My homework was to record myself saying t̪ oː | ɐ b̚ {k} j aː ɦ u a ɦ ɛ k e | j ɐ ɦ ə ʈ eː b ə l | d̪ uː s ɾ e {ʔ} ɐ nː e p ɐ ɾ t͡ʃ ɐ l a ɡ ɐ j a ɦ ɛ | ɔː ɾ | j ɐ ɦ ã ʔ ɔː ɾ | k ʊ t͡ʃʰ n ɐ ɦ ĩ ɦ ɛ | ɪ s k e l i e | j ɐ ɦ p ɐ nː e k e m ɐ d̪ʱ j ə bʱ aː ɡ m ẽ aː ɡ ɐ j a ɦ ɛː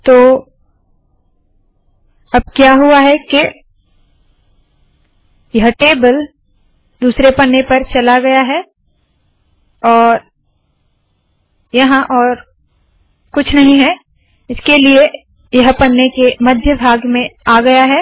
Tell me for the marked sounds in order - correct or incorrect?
correct, incorrect: p

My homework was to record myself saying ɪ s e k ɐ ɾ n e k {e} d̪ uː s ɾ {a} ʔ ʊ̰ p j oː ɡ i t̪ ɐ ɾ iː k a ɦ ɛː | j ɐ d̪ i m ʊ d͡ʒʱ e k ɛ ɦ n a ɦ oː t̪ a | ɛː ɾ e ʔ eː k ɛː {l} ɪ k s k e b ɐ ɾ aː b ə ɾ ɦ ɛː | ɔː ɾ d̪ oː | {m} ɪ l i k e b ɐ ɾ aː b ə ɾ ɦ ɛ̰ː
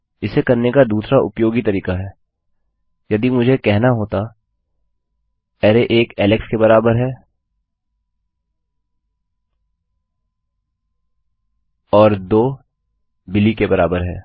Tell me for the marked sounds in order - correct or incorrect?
incorrect: a, correct, correct, incorrect: b

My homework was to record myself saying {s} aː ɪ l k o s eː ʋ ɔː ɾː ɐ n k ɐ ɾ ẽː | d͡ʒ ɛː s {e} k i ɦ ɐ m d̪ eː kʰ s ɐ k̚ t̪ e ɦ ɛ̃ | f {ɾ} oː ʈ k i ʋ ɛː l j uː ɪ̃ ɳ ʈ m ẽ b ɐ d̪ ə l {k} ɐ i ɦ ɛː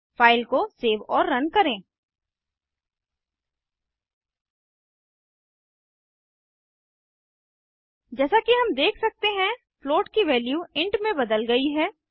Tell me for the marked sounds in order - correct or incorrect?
incorrect: f, incorrect: a, incorrect: l, incorrect: ɡ

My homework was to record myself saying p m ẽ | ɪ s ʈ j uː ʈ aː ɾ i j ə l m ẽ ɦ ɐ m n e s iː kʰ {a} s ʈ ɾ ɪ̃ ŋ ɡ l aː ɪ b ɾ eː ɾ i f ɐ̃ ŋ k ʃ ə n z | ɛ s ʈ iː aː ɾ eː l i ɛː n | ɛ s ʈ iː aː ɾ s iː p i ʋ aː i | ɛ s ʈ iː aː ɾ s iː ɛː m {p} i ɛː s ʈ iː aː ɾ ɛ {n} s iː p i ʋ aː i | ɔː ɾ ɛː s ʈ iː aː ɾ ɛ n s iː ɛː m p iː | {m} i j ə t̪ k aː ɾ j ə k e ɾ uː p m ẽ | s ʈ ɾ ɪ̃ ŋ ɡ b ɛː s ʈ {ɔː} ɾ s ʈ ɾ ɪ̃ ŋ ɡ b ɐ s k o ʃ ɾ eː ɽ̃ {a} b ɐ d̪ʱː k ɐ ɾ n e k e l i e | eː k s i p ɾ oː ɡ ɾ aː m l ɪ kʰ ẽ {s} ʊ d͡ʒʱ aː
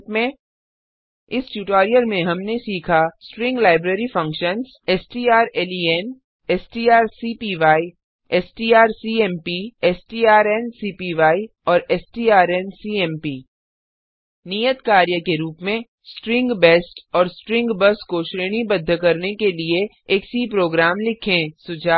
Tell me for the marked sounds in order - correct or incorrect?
correct, correct, correct, incorrect: n, correct, incorrect: i, correct

